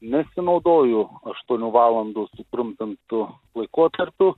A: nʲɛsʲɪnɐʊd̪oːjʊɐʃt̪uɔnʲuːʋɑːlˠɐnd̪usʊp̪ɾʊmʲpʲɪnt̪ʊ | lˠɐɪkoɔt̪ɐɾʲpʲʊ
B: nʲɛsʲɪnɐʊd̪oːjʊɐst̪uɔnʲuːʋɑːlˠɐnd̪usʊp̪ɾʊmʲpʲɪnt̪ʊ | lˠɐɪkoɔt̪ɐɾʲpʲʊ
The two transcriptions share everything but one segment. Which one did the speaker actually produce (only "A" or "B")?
A